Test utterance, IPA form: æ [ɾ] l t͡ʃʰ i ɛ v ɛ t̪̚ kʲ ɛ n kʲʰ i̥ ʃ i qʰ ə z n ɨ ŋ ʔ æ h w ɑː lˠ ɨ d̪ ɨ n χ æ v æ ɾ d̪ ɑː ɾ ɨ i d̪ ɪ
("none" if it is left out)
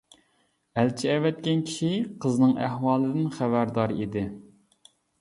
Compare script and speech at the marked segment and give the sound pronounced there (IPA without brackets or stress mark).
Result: none